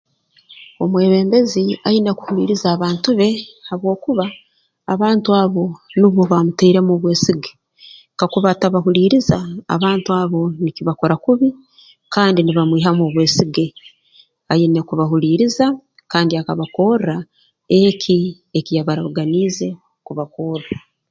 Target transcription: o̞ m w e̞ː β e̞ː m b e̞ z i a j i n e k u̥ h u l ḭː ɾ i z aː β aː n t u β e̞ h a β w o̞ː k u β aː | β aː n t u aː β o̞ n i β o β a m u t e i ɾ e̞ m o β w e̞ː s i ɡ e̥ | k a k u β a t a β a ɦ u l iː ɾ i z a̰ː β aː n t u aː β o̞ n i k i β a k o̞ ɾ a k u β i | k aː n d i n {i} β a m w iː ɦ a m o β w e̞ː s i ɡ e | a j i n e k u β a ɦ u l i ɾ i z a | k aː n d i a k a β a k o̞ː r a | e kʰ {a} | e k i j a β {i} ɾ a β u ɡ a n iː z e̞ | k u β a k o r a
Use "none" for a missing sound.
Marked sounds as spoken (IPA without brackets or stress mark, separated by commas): i, i, a